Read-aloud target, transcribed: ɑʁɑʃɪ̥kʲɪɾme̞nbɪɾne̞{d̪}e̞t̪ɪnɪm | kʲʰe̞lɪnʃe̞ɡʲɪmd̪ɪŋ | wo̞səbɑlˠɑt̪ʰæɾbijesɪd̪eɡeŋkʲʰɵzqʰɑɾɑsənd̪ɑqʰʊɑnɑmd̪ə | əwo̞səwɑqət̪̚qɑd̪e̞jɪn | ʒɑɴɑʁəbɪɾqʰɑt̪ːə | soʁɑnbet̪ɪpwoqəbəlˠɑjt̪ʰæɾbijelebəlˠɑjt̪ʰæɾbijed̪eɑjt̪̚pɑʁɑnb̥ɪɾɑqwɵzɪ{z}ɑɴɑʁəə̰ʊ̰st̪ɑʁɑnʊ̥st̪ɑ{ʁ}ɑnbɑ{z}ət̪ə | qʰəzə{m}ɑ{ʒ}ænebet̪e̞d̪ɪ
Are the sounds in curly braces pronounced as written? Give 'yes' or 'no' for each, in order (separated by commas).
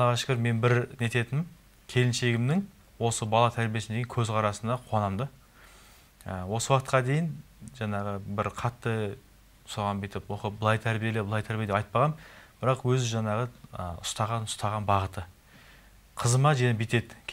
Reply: no, no, yes, no, yes, yes